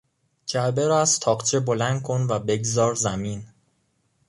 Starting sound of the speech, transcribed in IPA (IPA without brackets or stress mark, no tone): d͡ʒ